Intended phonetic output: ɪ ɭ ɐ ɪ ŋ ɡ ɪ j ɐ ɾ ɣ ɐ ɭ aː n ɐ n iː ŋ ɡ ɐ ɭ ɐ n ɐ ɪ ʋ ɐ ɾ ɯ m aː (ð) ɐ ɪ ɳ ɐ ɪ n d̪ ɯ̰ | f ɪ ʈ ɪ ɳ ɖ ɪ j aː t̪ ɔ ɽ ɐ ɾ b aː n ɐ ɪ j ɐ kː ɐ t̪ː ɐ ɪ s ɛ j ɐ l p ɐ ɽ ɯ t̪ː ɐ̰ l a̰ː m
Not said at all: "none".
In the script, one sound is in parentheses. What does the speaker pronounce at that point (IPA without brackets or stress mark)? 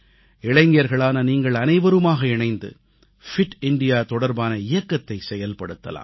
ɣ